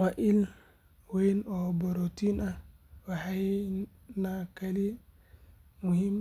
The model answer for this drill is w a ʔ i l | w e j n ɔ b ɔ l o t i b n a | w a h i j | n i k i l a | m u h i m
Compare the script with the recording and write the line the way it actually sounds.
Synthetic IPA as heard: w a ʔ i l | w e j n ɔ b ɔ ɾ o t i n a | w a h a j | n a k a l i | m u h i m